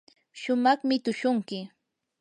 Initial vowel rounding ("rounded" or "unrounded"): rounded